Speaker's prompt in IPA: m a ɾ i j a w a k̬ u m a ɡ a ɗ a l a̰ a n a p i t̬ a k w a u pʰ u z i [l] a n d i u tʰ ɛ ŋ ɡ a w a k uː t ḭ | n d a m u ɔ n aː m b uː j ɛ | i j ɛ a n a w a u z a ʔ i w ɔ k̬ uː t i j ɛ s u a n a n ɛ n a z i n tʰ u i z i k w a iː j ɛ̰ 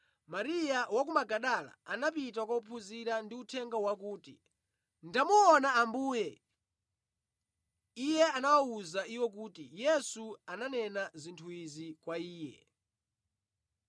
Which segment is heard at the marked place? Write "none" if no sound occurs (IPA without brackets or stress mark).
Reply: ɾ